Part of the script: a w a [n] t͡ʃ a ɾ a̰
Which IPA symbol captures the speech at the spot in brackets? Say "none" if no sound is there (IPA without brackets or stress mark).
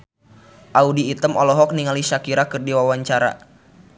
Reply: ɲ